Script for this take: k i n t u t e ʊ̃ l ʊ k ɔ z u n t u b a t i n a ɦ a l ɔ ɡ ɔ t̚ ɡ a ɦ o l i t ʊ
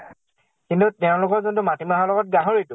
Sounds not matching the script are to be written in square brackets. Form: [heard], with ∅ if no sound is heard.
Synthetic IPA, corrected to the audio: k i n t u t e ʊ̃ l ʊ k ɔ z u n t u [m] a t i [m] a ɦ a l ɔ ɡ ɔ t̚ ɡ a ɦ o [ɹ] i t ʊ

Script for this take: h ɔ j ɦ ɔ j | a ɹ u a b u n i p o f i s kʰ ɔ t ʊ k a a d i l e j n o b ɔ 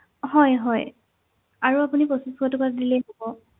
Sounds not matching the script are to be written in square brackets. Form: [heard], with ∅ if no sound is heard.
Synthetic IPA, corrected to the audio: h ɔ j ɦ ɔ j | a ɹ u a [p] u n i p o [s] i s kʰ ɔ t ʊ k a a d i l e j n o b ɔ

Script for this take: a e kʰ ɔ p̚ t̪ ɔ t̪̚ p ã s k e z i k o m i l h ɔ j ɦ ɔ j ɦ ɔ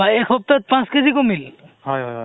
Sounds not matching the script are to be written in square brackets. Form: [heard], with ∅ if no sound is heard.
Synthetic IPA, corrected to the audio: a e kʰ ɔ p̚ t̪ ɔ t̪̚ p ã s k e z i k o m i l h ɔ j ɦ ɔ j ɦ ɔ

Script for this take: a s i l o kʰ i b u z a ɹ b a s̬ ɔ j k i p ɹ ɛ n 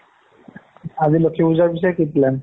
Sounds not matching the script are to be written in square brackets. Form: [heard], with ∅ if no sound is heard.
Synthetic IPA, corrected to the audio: a [z] i l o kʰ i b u z a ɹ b [i] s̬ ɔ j k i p [l] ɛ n

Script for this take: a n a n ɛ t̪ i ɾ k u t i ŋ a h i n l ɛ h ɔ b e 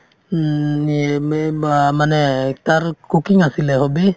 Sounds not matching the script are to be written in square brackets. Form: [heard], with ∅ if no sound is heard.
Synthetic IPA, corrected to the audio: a [m] a n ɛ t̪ [a] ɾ k u [k] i ŋ a [s] i [∅] l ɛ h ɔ b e

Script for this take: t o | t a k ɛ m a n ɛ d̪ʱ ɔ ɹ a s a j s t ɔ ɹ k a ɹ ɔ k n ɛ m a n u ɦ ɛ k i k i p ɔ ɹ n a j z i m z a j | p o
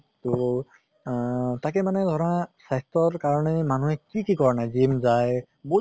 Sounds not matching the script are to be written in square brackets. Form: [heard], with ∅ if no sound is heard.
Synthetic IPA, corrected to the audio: t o | t a k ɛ m a n ɛ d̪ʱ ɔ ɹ a s a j s t ɔ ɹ k a ɹ ɔ [∅] n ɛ m a n u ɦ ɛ k i k i [k] ɔ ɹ n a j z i m z a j | [b] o

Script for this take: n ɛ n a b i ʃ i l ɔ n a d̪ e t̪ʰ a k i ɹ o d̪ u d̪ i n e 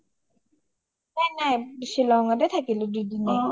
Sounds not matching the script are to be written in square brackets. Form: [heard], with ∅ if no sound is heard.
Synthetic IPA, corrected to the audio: n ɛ n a b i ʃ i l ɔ [ŋ] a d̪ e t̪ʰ a k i [l] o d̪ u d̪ i n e

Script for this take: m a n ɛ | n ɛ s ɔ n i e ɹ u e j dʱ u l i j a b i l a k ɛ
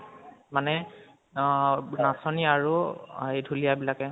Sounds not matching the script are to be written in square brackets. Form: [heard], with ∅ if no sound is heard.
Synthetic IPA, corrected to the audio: m a n ɛ | n [a] s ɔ n i [a] ɹ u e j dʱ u l i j a b i l a k ɛ

